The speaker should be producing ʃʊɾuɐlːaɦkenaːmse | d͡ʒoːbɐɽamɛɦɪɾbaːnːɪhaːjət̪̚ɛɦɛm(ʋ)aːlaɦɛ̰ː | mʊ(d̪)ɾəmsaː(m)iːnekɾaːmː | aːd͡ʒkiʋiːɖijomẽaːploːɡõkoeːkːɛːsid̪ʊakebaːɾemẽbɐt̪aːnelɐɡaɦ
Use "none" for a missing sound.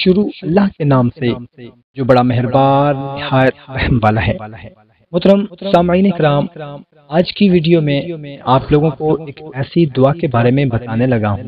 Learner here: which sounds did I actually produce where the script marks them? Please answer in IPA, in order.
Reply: ʋ, t̪, m

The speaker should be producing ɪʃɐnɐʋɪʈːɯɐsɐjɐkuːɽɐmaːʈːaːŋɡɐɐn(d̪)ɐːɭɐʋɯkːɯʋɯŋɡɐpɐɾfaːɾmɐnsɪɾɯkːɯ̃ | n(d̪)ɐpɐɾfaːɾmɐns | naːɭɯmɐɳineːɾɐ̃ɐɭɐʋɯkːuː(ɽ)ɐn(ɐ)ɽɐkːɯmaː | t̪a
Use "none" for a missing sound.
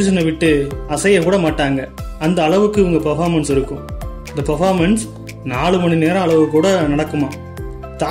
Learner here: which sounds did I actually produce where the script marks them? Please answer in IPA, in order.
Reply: d̪, d̪, ɽ, ɐ

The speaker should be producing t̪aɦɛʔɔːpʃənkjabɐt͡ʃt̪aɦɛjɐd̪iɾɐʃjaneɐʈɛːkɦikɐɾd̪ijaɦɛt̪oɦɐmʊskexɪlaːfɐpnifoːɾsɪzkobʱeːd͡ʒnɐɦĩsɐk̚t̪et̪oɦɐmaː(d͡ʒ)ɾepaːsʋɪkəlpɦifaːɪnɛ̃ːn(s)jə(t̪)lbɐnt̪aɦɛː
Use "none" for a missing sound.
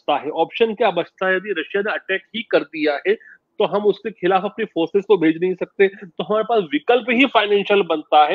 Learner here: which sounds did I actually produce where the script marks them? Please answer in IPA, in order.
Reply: none, ʃ, none

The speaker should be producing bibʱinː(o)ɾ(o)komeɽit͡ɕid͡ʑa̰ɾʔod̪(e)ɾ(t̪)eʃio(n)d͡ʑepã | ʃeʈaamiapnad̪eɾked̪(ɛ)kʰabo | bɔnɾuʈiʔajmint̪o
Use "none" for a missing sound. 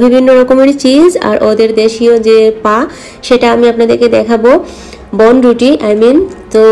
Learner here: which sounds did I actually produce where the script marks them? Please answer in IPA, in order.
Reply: o, ɔ, e, d̪, none, ɛ

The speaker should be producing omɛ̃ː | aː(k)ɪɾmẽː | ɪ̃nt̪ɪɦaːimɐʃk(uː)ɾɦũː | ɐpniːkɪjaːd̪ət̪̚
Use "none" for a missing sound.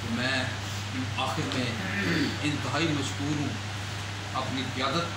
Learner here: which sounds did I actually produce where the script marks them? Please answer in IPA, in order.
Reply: x, uː

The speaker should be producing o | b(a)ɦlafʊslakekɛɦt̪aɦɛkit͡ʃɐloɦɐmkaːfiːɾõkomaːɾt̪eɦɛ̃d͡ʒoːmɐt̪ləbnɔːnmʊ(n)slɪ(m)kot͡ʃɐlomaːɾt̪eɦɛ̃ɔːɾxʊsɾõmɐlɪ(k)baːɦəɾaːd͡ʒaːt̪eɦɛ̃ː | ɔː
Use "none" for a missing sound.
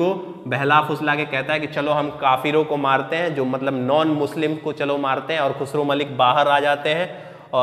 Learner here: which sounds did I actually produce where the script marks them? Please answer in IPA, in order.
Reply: ɛ, none, m, k

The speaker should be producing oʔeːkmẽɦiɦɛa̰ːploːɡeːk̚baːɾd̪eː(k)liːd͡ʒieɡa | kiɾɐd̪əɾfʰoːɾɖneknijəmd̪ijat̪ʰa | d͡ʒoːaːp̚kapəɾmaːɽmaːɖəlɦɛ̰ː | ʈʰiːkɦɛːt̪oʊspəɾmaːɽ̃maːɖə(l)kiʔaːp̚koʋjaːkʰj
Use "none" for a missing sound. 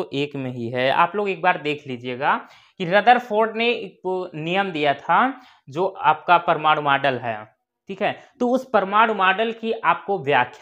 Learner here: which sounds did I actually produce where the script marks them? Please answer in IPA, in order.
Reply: kʰ, l

